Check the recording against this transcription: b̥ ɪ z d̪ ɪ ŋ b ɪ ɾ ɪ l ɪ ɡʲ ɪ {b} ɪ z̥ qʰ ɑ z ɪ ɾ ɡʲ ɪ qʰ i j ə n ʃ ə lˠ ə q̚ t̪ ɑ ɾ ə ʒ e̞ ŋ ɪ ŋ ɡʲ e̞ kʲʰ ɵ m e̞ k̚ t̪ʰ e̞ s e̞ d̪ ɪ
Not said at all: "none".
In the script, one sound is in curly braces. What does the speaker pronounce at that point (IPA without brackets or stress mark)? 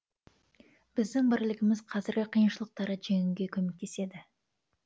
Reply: m